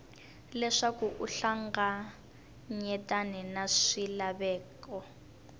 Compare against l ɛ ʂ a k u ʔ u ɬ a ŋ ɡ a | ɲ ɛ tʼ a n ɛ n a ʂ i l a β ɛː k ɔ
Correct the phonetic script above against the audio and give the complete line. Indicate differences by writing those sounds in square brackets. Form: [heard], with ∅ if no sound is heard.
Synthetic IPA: l ɛ ʂ a k u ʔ u ɬ a ŋ ɡ a | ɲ ɛ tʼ a n ɛ n a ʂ i l a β ɛː k ɔ